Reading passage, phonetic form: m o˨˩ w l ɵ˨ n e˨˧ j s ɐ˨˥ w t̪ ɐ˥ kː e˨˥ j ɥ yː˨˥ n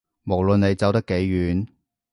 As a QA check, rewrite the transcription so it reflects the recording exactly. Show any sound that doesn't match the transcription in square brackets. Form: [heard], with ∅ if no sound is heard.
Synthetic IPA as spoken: m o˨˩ w l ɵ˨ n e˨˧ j [t͡s] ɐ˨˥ w t̪ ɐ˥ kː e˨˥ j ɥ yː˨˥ n